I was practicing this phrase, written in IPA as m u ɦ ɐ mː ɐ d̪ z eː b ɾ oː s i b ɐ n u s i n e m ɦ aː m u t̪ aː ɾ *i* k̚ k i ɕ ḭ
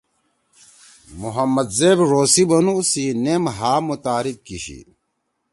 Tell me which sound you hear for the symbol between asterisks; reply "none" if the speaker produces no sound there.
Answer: i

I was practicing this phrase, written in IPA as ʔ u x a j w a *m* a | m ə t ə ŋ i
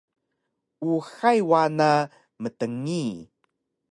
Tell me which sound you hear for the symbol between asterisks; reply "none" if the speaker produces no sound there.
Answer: n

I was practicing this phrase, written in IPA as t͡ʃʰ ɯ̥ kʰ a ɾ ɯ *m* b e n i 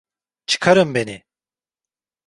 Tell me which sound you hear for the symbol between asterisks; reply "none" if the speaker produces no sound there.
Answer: m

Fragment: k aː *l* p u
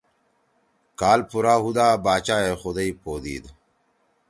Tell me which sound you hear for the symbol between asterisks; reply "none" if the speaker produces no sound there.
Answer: l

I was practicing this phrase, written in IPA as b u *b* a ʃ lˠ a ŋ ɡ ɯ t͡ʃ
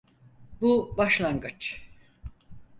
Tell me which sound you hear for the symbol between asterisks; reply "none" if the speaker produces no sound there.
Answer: b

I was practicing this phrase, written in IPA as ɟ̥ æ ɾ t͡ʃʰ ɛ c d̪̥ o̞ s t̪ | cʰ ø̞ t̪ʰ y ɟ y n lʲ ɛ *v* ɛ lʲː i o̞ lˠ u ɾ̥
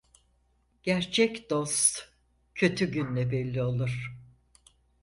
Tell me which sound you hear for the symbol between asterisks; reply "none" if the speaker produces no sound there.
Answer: b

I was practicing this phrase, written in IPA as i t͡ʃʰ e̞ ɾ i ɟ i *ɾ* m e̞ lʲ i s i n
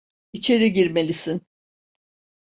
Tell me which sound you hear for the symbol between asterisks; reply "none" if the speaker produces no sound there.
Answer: ɾ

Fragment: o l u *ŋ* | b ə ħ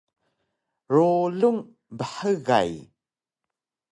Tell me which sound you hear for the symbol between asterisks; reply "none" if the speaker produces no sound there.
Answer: ŋ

